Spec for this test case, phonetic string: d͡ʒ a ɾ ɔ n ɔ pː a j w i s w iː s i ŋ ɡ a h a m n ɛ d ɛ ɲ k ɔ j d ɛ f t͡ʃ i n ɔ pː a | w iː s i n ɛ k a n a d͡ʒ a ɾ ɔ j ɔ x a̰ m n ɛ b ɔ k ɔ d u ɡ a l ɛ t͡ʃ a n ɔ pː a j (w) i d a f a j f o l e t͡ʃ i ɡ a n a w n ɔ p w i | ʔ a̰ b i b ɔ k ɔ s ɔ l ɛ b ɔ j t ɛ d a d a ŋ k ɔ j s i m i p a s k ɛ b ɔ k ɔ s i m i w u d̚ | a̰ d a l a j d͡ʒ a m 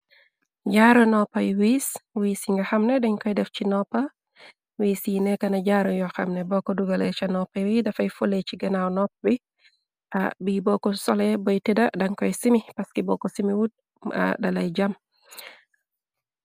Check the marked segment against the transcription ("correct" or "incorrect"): correct